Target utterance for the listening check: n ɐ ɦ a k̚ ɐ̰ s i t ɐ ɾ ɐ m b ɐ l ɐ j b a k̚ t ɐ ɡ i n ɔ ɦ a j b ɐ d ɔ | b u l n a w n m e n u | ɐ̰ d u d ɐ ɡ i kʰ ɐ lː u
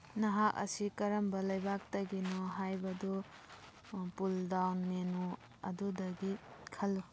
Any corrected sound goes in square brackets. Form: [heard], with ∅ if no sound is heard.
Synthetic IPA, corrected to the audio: n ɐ ɦ a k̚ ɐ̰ s i [k] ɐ ɾ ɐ m b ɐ l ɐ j b a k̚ t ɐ ɡ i n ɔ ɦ a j b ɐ d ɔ | [p] u l [d] a w n m e n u | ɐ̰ d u d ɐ ɡ i kʰ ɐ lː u

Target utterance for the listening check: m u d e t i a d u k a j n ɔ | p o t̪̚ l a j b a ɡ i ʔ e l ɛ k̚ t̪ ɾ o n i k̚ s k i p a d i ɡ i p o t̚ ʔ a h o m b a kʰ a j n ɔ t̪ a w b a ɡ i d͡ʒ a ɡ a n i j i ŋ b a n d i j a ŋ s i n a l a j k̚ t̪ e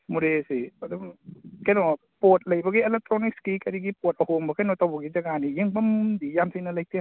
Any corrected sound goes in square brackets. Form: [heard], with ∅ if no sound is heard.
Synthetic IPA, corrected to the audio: m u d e [s] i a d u k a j n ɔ | p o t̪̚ l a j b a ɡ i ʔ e l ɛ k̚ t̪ ɾ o n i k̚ s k i [k] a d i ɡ i p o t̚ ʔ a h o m b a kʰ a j n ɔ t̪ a w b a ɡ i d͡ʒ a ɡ a n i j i ŋ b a [m] d i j a [m] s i n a l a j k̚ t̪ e

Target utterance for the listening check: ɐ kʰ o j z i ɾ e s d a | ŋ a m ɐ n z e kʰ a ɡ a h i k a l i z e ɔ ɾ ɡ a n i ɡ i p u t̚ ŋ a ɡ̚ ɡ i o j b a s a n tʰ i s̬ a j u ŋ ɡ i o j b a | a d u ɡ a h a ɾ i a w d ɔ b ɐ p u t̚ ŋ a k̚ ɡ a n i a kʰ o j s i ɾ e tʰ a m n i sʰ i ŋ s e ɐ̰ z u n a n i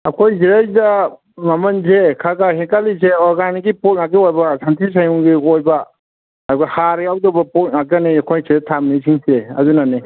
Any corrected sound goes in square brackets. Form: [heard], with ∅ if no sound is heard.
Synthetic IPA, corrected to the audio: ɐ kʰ o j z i ɾ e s d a | [m] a m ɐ n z e kʰ a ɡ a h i k a l i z e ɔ ɾ ɡ a n i ɡ i p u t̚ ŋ a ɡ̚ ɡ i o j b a s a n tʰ i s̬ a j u ŋ ɡ i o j b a | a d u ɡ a h a ɾ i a w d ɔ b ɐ p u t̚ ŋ a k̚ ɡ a n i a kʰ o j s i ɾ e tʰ a m n i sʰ i ŋ s e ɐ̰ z u n a n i

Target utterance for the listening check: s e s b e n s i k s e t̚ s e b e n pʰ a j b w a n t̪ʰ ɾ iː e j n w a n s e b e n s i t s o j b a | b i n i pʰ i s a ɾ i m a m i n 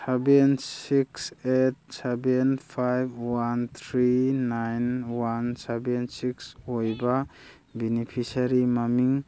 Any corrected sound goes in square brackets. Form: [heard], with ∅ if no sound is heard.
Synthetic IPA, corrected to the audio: s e [∅] b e n s i k s e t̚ s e b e n pʰ a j b w a n t̪ʰ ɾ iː [a] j n w a n s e b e n s i [k] s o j b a | b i n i pʰ i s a ɾ i m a m i [ŋ]

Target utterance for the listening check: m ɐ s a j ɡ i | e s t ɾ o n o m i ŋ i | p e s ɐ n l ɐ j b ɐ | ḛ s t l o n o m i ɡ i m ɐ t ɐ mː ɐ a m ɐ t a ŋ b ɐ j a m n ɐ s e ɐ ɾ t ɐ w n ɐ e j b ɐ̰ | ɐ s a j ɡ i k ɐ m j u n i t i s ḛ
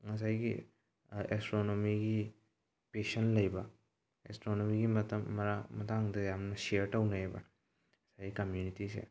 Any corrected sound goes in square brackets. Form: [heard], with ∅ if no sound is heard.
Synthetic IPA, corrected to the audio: [ŋ] ɐ s a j ɡ i | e s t ɾ o n o m i [ɡ] i | p e s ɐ n l ɐ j b ɐ | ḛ s t [ɾ] o n o m i ɡ i m ɐ t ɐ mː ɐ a m ɐ t a ŋ [d] ɐ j a m n ɐ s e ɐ ɾ t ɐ w n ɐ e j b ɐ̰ | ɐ s a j ɡ i k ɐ m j u n i t i s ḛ

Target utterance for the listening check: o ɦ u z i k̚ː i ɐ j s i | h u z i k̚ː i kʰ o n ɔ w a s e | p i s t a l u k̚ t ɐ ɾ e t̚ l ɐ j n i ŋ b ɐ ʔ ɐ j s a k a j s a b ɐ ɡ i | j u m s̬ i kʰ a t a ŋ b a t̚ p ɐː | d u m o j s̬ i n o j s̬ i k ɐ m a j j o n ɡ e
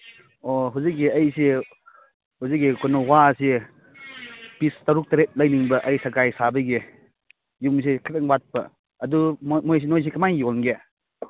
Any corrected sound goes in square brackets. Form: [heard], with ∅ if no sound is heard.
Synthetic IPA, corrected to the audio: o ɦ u z i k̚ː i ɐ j s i | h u z i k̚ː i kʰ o n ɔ w a s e | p i s t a [ɾ] u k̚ t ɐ ɾ e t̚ l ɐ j n i ŋ b ɐ ʔ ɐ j s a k a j s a b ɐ ɡ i | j u m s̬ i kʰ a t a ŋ b a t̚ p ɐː | d u m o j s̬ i n o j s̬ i k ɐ m a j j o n ɡ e

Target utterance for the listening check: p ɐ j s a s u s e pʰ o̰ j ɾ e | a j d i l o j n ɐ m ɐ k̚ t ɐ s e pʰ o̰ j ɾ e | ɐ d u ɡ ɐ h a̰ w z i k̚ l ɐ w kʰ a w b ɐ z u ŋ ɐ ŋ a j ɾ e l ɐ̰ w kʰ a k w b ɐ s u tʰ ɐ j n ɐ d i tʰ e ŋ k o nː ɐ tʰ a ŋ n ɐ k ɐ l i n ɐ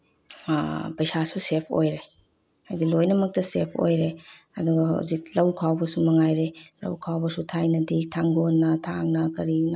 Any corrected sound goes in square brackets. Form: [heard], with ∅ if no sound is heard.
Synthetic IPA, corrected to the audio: p ɐ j s a s u s e pʰ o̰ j ɾ e | a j d i l o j n ɐ m ɐ k̚ t ɐ s e pʰ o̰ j ɾ e | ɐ d u ɡ ɐ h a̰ w z i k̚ l ɐ w kʰ a w b ɐ [s] u [m] ɐ ŋ a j ɾ e l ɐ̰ w kʰ a [∅] w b ɐ s u tʰ [a] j n ɐ d i tʰ [a] ŋ [ɡ] o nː ɐ tʰ a ŋ n ɐ k ɐ [ɾ] i n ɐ

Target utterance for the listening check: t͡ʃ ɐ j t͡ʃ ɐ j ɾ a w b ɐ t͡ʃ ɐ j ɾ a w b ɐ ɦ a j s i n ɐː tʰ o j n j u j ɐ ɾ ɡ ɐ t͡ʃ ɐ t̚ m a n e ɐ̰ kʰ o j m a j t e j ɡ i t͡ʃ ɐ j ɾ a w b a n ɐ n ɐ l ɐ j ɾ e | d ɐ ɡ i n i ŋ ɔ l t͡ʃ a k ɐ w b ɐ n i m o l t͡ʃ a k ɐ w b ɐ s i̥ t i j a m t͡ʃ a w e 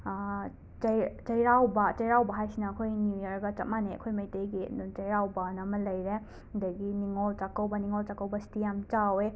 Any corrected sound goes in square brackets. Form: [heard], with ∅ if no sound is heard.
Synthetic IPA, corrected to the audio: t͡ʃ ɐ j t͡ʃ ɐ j ɾ a w b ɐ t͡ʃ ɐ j ɾ a w b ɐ ɦ a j s i n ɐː [kʰ] o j n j u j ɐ ɾ ɡ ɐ t͡ʃ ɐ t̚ m a n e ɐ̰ kʰ o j m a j t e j ɡ i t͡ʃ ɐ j ɾ a w b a n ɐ [m] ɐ l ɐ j ɾ e | d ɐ ɡ i n i ŋ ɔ l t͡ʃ a k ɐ w b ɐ n i [ŋ] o l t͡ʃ a k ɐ w b ɐ s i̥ t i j a m t͡ʃ a w e

